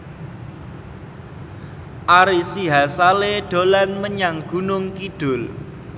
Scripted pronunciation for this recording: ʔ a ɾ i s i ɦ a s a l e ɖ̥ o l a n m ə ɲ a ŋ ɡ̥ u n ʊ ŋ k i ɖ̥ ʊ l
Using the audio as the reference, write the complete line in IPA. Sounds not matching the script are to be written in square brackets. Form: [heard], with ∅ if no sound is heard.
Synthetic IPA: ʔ a ɾ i s i ɦ a s a l e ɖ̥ o l a n m ə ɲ a ŋ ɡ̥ u n ʊ ŋ k i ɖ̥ ʊ l